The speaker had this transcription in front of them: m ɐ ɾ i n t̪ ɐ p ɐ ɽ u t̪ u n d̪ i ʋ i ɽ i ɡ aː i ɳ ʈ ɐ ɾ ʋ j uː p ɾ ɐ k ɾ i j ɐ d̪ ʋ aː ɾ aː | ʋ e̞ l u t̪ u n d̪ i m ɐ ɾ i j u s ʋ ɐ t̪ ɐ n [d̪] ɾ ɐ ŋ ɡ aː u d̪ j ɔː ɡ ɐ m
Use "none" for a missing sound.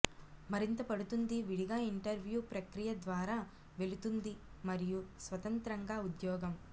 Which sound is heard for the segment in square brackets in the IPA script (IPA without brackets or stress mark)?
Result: t̪